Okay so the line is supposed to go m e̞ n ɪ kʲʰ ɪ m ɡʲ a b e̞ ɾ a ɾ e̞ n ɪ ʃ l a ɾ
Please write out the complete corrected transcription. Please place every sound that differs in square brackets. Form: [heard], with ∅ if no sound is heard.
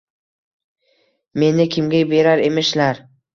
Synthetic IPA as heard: m e̞ n ɪ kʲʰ ɪ m ɡʲ a b e̞ ɾ a ɾ e̞ [m] ɪ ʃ l a ɾ